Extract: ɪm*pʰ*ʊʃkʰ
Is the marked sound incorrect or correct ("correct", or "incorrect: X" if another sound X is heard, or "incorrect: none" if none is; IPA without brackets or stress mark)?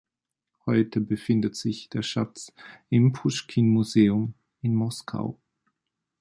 correct